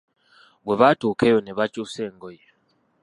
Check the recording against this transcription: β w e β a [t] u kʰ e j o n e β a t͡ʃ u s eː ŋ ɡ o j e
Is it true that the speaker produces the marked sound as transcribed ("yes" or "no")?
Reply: yes